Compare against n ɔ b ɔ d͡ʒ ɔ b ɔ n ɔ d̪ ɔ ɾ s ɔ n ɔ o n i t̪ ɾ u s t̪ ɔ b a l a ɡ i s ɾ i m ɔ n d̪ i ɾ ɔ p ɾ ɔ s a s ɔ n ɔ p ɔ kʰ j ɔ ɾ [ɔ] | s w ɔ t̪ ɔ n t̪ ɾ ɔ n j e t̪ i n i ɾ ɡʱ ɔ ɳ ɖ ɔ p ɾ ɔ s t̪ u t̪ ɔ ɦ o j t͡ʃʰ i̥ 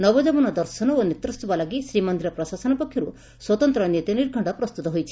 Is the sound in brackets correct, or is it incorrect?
incorrect